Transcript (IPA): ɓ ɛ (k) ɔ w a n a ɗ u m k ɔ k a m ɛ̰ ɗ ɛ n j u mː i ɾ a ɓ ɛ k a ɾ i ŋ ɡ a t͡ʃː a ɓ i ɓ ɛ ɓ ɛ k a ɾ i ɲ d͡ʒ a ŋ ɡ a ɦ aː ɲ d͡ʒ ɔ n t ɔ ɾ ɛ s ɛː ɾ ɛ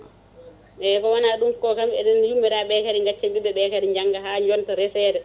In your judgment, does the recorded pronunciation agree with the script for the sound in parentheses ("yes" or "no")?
yes